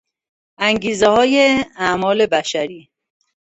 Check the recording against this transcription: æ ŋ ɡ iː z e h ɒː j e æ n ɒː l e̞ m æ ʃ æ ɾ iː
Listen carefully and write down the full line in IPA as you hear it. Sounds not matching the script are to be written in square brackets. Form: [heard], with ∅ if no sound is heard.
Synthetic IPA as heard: æ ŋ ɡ iː z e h ɒː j e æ [m] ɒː l e̞ [b] æ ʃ æ ɾ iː